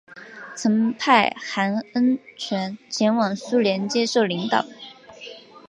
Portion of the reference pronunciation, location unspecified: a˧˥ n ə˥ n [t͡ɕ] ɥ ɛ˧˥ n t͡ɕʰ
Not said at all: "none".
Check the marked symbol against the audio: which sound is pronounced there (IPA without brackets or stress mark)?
t͡ɕʰ